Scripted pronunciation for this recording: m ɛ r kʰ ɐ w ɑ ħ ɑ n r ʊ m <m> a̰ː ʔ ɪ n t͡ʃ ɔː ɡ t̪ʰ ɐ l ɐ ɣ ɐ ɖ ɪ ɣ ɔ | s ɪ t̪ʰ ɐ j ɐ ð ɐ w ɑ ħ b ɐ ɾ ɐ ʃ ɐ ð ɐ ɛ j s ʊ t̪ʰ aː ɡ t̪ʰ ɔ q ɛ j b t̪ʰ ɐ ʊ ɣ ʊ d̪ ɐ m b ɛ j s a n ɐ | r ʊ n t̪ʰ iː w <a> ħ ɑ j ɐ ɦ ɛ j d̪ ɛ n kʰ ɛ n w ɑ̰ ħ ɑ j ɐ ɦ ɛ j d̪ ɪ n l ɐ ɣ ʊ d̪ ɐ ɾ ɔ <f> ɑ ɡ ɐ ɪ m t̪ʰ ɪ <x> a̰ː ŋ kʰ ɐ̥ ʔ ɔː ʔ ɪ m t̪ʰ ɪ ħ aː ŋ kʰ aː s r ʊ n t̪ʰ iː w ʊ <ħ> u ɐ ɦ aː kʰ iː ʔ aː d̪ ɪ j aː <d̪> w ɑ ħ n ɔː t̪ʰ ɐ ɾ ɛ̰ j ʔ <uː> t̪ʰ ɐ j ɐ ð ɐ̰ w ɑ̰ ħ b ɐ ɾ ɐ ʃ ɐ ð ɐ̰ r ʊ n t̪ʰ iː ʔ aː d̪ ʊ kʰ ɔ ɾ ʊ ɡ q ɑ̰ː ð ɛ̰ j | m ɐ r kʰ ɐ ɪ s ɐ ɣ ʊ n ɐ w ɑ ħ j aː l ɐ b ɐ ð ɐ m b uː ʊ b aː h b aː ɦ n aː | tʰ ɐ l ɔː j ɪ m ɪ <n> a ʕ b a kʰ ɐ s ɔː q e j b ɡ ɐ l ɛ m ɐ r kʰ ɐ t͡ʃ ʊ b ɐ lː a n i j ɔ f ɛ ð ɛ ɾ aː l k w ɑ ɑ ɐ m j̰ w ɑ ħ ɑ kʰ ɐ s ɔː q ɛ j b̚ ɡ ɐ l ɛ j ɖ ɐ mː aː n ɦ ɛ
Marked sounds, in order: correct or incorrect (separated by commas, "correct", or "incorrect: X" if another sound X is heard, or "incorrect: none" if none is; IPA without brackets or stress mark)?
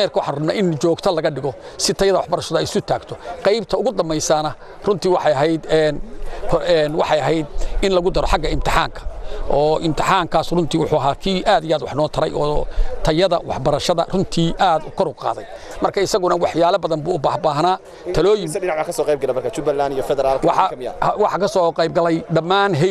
incorrect: n, incorrect: ɑ, incorrect: ħ, incorrect: ħ, correct, correct, incorrect: ɔː, correct